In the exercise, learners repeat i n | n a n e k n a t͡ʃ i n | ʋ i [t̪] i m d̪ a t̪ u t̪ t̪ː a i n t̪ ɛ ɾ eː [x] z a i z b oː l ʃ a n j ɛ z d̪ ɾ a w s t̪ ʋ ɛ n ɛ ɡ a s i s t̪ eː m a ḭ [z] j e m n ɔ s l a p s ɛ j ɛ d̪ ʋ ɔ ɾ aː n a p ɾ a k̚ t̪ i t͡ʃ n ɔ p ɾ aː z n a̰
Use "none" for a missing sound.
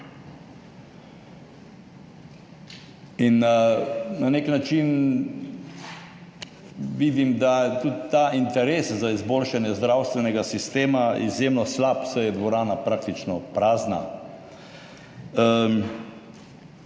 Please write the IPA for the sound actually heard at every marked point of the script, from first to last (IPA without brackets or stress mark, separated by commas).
d̪, s, z